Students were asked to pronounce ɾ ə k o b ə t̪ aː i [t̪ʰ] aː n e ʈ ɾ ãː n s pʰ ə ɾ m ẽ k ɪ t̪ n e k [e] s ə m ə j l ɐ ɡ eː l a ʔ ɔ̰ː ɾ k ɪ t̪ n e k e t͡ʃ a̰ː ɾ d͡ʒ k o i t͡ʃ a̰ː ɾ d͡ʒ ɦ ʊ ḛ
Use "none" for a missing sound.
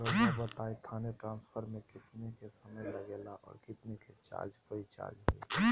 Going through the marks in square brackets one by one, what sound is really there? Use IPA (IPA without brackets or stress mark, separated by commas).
t̪ʰ, e